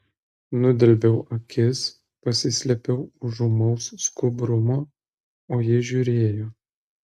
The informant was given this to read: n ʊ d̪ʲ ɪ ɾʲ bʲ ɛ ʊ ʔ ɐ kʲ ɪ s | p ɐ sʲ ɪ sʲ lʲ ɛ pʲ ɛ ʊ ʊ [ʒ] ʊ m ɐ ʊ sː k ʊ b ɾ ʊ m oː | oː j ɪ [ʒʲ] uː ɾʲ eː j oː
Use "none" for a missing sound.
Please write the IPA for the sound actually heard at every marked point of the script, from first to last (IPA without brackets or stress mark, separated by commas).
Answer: ʒ, ʒʲ